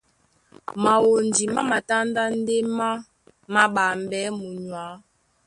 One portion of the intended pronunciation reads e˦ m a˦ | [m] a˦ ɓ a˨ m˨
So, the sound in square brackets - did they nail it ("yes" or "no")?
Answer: yes